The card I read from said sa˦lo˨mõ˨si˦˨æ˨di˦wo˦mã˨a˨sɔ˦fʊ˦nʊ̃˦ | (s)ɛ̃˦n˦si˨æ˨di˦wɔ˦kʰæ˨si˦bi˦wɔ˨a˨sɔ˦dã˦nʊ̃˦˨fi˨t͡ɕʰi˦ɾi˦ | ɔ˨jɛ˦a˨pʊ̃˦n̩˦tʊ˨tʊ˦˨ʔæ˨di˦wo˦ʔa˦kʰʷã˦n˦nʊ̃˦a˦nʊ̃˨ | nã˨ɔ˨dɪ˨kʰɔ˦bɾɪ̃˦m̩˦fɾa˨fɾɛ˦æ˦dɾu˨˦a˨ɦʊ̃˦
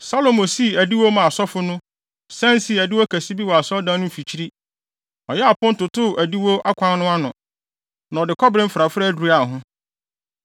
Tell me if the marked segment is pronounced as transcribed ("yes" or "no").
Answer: yes